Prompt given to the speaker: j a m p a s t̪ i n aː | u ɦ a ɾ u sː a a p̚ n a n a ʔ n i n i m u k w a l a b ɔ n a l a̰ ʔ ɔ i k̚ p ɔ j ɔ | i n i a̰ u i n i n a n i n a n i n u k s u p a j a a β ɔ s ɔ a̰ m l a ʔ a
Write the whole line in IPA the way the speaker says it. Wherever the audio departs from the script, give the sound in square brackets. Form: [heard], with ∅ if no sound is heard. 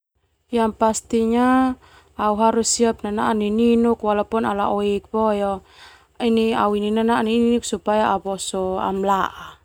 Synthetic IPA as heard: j a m p a s t̪ i [ɲ] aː | u ɦ a ɾ u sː [i] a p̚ n a n a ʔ n i n i [n] u k w a l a [p] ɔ n a l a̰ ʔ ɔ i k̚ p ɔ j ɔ | i n i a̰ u i n i n a n [a] n [i] n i n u k s u p a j a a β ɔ s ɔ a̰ m l a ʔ a